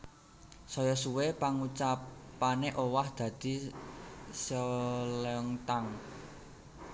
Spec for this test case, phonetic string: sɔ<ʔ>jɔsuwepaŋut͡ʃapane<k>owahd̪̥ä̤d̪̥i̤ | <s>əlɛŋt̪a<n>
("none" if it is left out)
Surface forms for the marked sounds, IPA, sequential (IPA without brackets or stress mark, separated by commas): none, ʔ, s, ŋ